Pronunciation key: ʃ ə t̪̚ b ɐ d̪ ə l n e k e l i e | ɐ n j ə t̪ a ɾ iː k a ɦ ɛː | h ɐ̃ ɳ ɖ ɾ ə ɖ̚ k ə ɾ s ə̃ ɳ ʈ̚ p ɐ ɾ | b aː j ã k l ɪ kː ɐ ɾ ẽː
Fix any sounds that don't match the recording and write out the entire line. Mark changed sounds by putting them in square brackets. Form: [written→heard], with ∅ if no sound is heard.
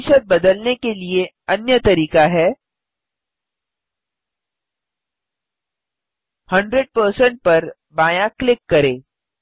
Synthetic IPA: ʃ ə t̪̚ b ɐ d̪ ə l n e k e l i e | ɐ n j ə t̪ [a→ɐ] ɾ iː k a ɦ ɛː | h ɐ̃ ɳ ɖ ɾ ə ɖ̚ [k→p] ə ɾ s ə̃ ɳ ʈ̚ p ɐ ɾ | b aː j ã k l ɪ kː ɐ ɾ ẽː

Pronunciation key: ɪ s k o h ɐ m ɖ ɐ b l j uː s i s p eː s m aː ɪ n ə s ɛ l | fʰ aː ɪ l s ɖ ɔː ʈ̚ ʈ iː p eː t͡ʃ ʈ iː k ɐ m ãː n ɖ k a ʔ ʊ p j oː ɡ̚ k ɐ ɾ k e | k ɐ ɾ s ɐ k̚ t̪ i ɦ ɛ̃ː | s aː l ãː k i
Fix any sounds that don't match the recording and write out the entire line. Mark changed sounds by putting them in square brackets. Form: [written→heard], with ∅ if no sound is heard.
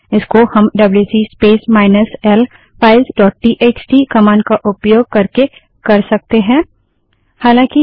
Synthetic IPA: ɪ s k o h ɐ m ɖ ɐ b l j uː s i s p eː s m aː ɪ n ə s ɛ l | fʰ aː ɪ l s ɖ ɔː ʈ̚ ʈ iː [p→ʔ] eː t͡ʃ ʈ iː k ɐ m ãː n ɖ k a ʔ ʊ p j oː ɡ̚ k ɐ ɾ k e | k ɐ ɾ s ɐ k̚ t̪ [i→e] ɦ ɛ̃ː | [s→h] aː l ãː k i

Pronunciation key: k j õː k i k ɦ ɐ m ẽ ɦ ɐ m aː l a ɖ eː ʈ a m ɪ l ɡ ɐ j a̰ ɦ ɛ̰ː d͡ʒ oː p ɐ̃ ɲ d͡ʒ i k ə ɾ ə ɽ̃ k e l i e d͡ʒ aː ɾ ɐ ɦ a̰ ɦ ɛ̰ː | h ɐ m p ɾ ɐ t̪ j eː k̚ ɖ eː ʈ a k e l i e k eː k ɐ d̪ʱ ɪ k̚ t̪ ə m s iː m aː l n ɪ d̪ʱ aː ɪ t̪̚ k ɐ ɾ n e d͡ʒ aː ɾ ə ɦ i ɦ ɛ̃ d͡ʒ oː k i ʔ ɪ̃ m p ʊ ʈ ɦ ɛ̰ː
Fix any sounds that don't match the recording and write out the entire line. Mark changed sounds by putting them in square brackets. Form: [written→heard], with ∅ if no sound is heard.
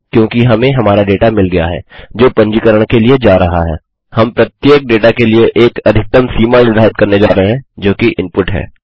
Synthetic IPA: k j õː k i [k→∅] ɦ ɐ m ẽ ɦ ɐ m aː [l→ɾ] a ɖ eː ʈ a m ɪ l ɡ ɐ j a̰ ɦ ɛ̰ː d͡ʒ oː p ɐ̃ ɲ d͡ʒ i k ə ɾ ə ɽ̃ k e l i e d͡ʒ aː ɾ ɐ ɦ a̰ ɦ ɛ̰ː | h ɐ m p ɾ ɐ t̪ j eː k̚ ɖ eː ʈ a k e l i e [k→ʔ] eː k ɐ d̪ʱ ɪ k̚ t̪ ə m s iː m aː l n ɪ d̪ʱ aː ɪ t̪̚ k ɐ ɾ n e d͡ʒ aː ɾ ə ɦ [i→e] ɦ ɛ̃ d͡ʒ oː k i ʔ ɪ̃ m p ʊ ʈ ɦ ɛ̰ː

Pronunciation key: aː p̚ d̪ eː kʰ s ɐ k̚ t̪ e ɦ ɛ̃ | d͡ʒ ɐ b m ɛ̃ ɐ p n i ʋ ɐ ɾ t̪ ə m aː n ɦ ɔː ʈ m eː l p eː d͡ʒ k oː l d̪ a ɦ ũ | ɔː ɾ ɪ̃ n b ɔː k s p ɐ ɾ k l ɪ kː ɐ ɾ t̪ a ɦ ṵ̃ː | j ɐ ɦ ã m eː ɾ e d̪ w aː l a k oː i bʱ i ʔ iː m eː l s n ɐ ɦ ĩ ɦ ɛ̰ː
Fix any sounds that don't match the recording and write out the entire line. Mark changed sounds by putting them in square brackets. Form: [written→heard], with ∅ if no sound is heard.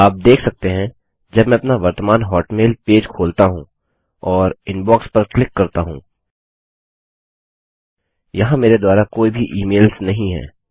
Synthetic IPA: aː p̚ d̪ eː kʰ s ɐ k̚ t̪ e ɦ ɛ̃ | d͡ʒ ɐ b m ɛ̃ ɐ p n [i→a] ʋ ɐ ɾ t̪ ə m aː n ɦ ɔː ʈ m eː l p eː d͡ʒ [k→kʰ] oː l [d̪→t̪] a ɦ ũ | ɔː ɾ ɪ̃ n b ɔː k s p ɐ ɾ k l ɪ kː ɐ ɾ t̪ a ɦ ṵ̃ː | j ɐ ɦ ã m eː ɾ e d̪ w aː [l→ɾ] a k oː i bʱ i ʔ iː m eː l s n ɐ ɦ ĩ ɦ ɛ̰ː

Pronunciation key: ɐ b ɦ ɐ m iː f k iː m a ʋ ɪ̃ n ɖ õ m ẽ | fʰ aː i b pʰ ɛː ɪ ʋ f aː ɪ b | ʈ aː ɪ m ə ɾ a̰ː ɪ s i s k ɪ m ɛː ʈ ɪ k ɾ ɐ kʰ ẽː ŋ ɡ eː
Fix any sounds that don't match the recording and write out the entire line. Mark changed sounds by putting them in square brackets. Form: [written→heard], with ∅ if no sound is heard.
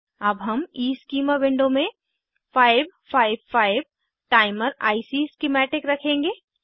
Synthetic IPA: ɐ b ɦ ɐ m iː [f→s] k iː m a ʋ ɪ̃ [n→ɳ] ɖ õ m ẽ | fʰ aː [i→ɪ] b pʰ [ɛː→aː] ɪ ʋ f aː ɪ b | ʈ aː ɪ m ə ɾ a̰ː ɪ s i s k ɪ m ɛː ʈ ɪ k ɾ ɐ kʰ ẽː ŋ ɡ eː

